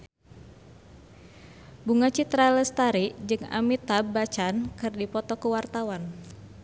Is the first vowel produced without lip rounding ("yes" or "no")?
no